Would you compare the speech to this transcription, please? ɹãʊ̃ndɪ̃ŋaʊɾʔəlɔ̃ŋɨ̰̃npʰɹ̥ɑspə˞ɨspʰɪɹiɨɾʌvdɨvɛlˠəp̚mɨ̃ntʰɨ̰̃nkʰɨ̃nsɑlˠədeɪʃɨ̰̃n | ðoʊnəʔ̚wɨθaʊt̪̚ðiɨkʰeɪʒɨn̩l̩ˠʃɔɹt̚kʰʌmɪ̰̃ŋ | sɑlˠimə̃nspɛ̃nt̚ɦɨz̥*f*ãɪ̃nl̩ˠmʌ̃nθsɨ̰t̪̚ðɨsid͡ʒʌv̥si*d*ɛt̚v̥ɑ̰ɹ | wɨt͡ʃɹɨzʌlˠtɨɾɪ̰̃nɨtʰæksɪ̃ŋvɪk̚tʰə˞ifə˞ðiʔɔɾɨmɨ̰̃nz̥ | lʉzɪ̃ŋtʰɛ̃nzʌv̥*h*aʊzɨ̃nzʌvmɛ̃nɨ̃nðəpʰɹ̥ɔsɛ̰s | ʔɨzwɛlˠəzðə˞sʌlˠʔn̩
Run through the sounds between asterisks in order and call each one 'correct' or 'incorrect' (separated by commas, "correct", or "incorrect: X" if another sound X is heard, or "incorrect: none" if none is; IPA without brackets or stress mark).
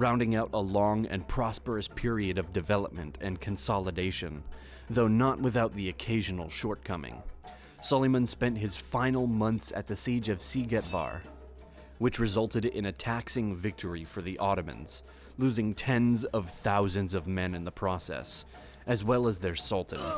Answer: correct, incorrect: ɡ, incorrect: θ